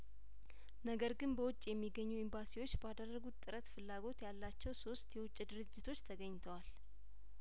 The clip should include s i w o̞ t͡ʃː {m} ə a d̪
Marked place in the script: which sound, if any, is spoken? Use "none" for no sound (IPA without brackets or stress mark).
b